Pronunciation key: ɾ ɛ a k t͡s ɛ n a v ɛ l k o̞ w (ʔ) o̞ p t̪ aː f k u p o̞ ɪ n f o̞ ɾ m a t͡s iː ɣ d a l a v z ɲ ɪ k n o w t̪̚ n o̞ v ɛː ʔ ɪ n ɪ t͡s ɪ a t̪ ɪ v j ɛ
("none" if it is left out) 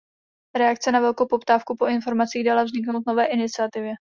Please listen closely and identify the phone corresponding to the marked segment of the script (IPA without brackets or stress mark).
p